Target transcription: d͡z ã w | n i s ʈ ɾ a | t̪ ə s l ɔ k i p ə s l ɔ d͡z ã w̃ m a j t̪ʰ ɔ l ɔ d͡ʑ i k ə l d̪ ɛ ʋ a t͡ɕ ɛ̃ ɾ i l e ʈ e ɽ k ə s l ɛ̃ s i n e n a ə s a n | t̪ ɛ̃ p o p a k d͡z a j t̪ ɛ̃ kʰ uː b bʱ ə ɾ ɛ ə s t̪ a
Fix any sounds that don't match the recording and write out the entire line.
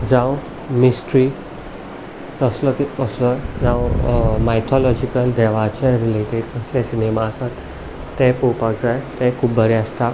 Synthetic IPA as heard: d͡z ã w | m i s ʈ ɾ i | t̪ ə s l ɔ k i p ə s l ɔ d͡z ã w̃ m a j t̪ʰ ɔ l ɔ d͡ʑ i k ə l d̪ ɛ ʋ a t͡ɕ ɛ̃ ɾ i l e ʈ e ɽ k ə s l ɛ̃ s i n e m a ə s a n | t̪ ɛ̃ p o p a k d͡z a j t̪ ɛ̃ kʰ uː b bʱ ə ɾ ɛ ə s t̪ a